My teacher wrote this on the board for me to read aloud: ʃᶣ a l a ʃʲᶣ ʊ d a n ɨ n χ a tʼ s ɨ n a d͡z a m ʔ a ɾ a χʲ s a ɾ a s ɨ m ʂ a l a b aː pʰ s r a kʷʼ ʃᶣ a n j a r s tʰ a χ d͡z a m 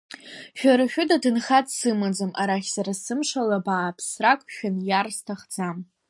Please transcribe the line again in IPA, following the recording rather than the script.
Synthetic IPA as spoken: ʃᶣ a ɾ a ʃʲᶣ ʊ d a d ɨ n χ a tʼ s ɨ m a d͡z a m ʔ a ɾ a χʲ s a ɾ a s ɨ m ʂ a l a b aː pʰ s r a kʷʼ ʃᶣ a n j a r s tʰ a χ d͡z a m